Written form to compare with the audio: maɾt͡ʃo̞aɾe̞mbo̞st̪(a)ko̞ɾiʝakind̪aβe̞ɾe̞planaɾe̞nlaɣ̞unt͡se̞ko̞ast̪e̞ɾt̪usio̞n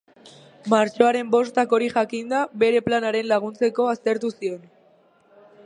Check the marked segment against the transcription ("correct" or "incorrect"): correct